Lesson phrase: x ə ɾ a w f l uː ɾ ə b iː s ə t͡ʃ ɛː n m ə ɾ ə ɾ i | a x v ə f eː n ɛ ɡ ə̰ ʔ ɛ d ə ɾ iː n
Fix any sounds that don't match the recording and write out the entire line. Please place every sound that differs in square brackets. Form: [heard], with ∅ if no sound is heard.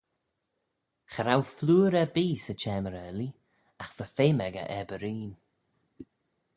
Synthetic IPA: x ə ɾ a w f l uː ɾ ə b iː s ə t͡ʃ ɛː [∅] m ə ɾ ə [l] i | a x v ə f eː [m] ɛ ɡ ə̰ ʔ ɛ [b] ə ɾ iː n